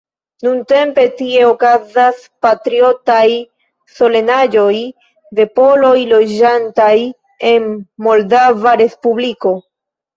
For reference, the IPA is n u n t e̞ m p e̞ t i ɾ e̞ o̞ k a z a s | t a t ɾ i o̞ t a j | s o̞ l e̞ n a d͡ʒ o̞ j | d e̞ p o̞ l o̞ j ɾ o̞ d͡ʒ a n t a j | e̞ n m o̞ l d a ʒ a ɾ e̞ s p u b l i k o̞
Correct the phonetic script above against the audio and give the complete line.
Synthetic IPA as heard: n u n t e̞ m p e̞ t i e̞ o̞ k a z a s | p a t ɾ i o̞ t a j | s o̞ l e̞ n a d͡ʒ o̞ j | d e̞ p o̞ l o̞ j l o̞ d͡ʒ a n t a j | e̞ n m o̞ l d a v a ɾ e̞ s p u b l i k o̞